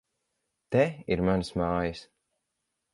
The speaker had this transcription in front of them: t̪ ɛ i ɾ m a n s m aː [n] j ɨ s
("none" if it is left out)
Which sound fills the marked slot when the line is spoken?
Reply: none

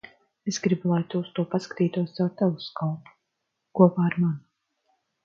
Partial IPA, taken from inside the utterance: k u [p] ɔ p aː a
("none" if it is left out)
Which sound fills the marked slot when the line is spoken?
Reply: none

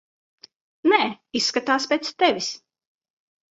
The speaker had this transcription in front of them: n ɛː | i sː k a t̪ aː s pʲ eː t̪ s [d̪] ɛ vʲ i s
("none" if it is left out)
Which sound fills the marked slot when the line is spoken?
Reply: t̪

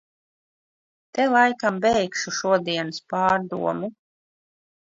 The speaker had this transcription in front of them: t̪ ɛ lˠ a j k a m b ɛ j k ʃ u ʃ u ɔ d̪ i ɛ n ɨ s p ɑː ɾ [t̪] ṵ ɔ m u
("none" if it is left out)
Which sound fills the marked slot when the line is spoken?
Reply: d̪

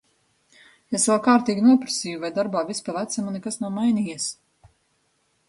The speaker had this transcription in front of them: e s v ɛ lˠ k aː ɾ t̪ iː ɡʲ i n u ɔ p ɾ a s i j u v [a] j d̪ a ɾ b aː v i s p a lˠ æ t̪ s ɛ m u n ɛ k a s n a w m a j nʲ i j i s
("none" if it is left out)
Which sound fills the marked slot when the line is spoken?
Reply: a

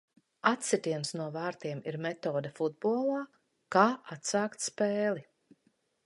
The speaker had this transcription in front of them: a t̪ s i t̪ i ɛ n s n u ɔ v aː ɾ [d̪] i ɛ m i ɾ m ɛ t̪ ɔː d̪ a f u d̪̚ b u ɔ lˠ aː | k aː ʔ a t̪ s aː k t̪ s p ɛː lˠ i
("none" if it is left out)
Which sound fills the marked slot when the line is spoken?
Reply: t̪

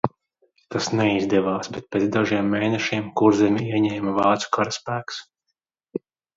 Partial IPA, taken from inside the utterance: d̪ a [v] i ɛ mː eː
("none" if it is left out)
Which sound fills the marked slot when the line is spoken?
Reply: ʒ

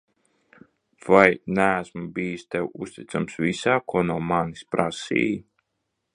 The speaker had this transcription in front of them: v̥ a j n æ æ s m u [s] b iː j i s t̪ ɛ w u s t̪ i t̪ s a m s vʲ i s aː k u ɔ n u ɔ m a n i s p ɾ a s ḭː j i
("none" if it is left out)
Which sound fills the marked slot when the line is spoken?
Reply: none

